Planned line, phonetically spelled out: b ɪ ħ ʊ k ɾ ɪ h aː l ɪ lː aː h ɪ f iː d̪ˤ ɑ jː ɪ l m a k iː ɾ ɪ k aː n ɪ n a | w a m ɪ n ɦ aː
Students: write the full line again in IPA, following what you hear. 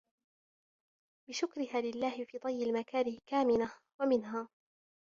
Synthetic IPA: b ɪ ʃ ʊ k ɾ ɪ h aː l ɪ lː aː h ɪ f iː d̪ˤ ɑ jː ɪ l m a k aː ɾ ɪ k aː m ɪ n a | w a m ɪ n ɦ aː